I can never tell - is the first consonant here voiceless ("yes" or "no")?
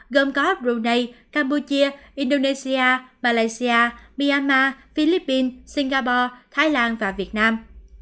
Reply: no